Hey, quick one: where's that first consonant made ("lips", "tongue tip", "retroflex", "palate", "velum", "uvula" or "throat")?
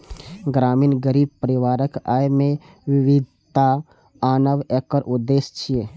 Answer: velum